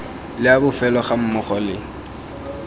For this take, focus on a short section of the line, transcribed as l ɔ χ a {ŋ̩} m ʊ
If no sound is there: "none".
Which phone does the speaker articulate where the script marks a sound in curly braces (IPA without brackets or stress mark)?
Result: m̩